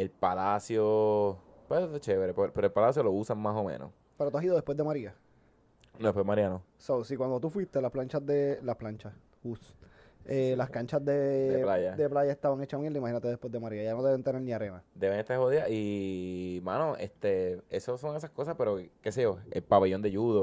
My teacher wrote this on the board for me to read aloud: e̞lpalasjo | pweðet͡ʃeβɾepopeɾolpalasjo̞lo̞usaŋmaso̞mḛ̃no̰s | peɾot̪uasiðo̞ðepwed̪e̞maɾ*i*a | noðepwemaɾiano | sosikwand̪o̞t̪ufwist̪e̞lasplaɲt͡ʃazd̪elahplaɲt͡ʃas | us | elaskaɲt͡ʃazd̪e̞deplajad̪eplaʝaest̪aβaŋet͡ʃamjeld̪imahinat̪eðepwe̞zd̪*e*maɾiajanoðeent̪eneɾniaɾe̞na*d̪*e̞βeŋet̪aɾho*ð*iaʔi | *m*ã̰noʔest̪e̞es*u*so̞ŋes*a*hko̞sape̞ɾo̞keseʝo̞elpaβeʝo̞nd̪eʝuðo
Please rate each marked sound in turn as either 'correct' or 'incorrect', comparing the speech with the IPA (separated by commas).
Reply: correct, correct, correct, correct, correct, incorrect, correct